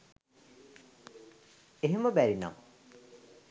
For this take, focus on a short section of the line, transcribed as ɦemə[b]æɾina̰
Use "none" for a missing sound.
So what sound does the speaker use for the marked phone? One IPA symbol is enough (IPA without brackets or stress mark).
b